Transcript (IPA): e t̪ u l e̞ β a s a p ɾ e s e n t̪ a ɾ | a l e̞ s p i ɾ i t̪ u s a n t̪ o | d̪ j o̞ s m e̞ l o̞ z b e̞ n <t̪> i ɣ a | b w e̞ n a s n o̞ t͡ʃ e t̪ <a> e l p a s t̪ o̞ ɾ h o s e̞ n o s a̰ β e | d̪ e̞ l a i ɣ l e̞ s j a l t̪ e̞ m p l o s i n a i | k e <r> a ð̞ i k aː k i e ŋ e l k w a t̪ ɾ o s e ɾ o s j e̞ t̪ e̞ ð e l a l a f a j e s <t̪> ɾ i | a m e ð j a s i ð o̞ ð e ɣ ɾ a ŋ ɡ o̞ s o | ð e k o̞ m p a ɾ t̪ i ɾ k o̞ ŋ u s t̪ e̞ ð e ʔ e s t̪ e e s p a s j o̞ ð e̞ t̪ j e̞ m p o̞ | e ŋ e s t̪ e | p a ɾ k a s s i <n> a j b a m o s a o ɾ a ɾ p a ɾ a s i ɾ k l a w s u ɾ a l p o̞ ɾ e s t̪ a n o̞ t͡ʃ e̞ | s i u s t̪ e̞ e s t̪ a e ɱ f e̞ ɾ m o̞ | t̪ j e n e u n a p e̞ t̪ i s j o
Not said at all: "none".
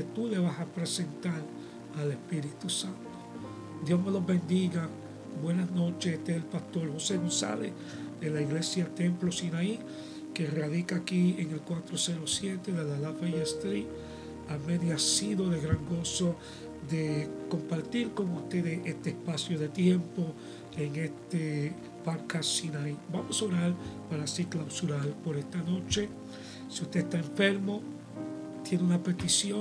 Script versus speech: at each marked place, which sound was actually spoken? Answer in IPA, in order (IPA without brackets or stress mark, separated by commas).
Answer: d̪, e, r, t̪, n